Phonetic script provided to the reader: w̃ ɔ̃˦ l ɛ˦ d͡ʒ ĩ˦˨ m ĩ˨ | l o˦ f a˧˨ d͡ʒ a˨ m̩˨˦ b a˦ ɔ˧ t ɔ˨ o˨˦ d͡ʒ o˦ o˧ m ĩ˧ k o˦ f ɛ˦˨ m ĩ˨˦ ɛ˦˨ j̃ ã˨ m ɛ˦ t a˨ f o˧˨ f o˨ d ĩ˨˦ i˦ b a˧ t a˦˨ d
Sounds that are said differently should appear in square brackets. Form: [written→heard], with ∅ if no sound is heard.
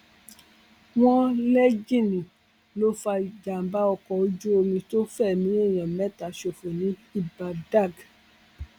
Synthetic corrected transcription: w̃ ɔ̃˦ l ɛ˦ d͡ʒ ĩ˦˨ [m→n] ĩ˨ | l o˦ f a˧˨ d͡ʒ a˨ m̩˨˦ b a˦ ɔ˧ [t→k] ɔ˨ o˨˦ d͡ʒ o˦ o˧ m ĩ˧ [k→t] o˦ f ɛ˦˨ m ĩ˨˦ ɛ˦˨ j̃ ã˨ m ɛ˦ t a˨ [f→ʃ] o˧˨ f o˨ [d→n] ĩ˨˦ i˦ b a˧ [t→d] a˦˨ [d→ɡ]